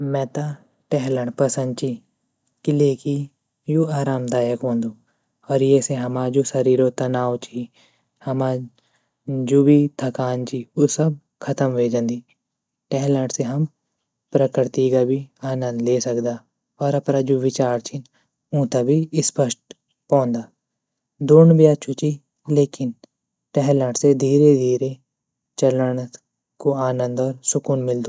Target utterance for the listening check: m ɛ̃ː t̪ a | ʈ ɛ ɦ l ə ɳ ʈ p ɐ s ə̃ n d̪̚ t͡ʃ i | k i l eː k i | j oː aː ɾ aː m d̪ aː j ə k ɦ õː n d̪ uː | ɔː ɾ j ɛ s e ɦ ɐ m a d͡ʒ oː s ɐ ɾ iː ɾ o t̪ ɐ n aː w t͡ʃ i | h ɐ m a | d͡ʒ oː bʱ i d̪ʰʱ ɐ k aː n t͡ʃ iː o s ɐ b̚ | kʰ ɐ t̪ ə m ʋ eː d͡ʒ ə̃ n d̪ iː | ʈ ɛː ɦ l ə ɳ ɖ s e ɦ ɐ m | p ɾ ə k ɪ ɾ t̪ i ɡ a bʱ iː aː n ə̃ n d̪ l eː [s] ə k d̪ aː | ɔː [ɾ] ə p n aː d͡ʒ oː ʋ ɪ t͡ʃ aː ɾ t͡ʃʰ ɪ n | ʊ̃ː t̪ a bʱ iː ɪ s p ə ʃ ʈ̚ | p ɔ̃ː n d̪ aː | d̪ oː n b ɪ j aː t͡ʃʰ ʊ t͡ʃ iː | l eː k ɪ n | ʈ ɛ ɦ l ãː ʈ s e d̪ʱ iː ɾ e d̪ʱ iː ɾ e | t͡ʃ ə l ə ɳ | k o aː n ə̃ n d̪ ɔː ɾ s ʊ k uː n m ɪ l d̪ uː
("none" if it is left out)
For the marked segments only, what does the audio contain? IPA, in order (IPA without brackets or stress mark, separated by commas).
s, ɾ